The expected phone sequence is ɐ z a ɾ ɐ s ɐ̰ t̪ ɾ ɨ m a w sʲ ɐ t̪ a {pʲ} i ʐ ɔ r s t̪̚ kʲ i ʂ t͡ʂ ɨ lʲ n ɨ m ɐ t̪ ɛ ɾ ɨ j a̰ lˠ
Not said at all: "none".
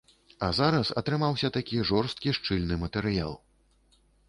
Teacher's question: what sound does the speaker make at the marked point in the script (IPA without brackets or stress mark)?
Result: kʲ